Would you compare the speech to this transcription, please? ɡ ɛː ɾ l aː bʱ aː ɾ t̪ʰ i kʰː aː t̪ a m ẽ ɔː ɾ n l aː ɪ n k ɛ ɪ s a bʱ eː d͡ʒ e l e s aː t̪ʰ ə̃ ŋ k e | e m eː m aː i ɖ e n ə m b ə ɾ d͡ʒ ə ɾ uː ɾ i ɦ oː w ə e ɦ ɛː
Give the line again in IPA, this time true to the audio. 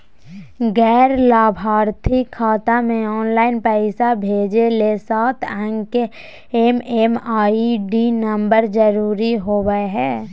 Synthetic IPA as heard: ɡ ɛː ɾ l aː bʱ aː ɾ t̪ʰ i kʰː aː t̪ a m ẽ ɔː n l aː ɪ n p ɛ ɪ s a bʱ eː d͡ʒ e l e s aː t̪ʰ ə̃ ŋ k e | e m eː m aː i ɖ i n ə m b ə ɾ d͡ʒ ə ɾ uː ɾ i ɦ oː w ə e ɦ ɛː